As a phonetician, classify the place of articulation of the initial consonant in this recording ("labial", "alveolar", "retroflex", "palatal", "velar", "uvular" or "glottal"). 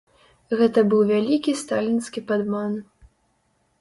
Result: velar